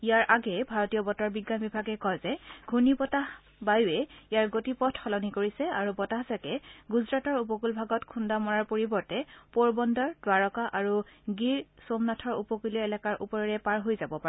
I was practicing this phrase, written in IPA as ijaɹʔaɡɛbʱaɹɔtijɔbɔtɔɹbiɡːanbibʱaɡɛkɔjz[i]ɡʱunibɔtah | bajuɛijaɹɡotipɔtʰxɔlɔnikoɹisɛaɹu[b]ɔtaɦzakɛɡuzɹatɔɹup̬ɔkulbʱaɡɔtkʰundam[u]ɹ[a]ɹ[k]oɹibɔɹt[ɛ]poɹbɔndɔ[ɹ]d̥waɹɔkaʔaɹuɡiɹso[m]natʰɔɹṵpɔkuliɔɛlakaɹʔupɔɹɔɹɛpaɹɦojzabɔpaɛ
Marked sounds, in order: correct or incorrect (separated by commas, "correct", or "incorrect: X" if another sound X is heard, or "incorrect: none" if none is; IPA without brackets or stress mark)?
incorrect: ɛ, correct, incorrect: ɔ, correct, incorrect: p, correct, correct, correct